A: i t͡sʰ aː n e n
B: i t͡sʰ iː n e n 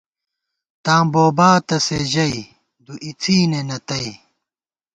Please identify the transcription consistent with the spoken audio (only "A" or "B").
B